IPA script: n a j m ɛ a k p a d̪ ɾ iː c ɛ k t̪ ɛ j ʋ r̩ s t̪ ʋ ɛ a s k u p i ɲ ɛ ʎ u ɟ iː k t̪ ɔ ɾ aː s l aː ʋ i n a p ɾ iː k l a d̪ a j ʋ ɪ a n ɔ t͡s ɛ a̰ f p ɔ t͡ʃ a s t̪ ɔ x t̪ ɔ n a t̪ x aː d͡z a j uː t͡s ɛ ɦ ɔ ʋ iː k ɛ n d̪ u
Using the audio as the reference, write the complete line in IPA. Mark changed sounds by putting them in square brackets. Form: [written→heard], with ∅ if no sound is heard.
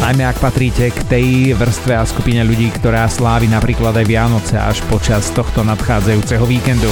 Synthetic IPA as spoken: n a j m ɛ a k p a [d̪→t̪] ɾ iː c ɛ k t̪ ɛ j ʋ r̩ s t̪ ʋ ɛ a s k u p i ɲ ɛ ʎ u ɟ iː k t̪ ɔ ɾ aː s l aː ʋ i n a p ɾ iː k l a d̪ a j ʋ ɪ a n ɔ t͡s ɛ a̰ [f→ʃ] p ɔ t͡ʃ a s t̪ ɔ x t̪ ɔ n a t̪ x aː d͡z a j uː t͡s ɛ ɦ ɔ ʋ iː k ɛ n d̪ u